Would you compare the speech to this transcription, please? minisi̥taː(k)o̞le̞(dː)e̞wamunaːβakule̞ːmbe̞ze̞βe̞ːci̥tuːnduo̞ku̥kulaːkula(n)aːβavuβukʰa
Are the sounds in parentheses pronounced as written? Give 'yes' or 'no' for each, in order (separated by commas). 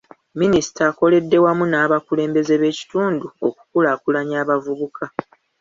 yes, yes, no